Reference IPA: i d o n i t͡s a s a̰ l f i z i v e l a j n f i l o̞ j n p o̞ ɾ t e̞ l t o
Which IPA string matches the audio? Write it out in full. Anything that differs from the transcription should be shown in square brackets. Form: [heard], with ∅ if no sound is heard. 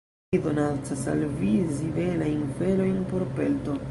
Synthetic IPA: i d o n [a] t͡s a s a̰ l [v] i z i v e l a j n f [e] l o̞ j n p o̞ ɾ [p] e̞ l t o